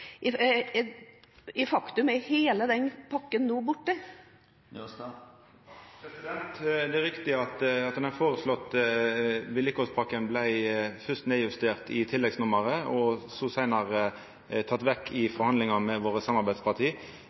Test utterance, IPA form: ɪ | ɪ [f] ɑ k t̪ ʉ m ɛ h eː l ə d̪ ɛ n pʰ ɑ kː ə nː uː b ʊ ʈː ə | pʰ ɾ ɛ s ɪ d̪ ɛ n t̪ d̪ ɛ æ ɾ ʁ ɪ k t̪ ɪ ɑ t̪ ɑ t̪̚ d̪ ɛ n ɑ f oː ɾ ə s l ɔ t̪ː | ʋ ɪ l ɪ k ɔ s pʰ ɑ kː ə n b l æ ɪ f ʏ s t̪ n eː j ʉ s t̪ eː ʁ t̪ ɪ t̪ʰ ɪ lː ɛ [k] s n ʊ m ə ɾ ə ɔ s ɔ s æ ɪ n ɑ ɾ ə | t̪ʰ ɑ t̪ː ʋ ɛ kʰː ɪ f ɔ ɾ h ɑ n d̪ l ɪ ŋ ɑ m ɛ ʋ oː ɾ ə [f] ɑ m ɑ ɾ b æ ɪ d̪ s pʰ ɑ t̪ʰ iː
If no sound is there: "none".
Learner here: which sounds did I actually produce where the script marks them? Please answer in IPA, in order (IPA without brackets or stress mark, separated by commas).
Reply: f, ɡ, s